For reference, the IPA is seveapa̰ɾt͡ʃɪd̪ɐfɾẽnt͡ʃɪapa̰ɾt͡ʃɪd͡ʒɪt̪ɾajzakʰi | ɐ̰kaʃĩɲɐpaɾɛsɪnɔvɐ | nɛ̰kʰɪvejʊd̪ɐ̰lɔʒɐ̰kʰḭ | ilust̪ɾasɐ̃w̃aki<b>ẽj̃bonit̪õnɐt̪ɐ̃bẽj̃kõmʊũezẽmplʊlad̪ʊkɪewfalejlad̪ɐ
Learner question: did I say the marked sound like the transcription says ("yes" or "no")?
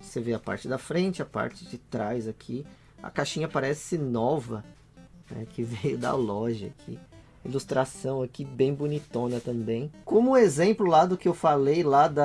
yes